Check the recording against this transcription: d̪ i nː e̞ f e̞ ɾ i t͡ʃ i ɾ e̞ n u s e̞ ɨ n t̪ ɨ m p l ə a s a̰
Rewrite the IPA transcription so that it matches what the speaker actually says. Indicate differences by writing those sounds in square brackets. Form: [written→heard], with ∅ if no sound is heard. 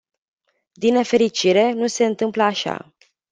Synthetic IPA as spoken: d̪ i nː e̞ f e̞ ɾ i t͡ʃ i ɾ e̞ n u s e̞ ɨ n t̪ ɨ m p l ə a [s→ʃ] a̰